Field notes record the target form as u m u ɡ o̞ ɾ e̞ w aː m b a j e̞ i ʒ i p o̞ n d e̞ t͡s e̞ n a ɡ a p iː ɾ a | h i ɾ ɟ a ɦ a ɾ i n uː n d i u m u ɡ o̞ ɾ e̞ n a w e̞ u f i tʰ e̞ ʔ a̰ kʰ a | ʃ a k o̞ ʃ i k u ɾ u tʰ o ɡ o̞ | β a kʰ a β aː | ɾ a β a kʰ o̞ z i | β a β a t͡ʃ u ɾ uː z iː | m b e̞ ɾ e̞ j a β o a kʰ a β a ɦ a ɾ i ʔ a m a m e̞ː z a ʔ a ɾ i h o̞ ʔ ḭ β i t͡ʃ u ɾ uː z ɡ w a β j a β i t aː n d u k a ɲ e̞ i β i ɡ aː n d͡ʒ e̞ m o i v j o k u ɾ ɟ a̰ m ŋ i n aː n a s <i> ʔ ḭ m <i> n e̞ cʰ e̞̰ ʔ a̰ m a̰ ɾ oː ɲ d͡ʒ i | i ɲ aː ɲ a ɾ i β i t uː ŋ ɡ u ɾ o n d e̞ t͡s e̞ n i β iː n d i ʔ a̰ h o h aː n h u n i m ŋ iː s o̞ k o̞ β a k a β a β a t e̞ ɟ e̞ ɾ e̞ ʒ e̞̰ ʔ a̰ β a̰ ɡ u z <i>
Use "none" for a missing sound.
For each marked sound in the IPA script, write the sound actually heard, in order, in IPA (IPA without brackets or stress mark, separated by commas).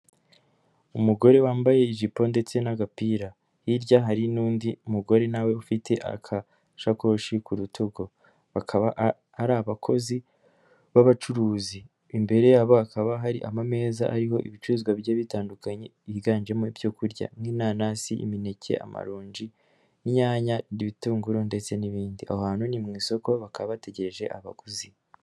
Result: i, i, i